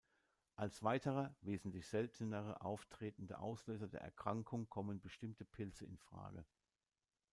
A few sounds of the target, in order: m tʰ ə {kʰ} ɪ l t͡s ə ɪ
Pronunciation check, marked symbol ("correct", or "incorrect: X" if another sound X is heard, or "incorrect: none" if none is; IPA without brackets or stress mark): incorrect: pʰ